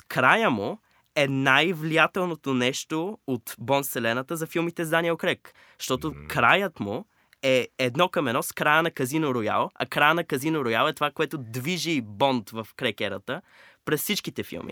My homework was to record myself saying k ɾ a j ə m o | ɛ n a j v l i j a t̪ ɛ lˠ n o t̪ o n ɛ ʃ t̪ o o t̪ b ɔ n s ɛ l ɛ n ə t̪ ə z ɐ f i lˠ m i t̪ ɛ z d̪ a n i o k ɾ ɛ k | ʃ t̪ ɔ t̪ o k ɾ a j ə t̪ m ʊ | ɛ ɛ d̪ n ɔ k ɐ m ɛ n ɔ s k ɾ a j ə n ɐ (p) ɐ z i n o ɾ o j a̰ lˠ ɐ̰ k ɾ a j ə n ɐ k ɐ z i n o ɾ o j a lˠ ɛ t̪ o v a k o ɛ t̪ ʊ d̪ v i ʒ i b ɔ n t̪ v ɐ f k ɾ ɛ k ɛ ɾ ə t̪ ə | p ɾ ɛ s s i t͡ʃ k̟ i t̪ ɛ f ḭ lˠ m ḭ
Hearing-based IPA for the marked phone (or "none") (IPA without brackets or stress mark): k